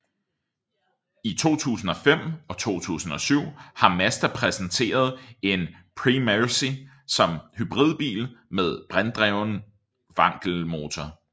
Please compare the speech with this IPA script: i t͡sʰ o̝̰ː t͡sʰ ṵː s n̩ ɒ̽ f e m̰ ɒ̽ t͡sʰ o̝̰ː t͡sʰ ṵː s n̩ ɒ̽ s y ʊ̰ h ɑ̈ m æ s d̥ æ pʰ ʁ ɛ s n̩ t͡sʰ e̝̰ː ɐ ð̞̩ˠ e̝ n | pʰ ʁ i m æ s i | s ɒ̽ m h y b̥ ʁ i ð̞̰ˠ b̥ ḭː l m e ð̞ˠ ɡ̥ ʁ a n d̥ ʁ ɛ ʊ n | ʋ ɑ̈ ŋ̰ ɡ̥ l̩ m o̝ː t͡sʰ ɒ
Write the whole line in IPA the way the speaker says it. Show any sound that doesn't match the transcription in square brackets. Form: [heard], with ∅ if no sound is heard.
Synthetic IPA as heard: i t͡sʰ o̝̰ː t͡sʰ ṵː s n̩ ɒ̽ f e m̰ ɒ̽ t͡sʰ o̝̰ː t͡sʰ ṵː s n̩ ɒ̽ s y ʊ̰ h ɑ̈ m æ s d̥ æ pʰ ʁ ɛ s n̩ t͡sʰ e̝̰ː ɐ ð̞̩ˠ e̝ n | pʰ ʁ i m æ s i | s ɒ̽ m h y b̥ ʁ i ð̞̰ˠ b̥ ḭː l m e ð̞ˠ [b̥] ʁ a n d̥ ʁ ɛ ʊ n | ʋ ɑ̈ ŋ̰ ɡ̥ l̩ m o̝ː t͡sʰ ɒ